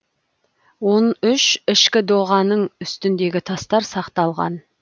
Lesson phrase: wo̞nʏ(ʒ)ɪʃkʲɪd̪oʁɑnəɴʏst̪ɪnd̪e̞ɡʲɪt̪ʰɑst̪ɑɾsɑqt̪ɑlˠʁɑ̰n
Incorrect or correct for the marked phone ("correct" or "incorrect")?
incorrect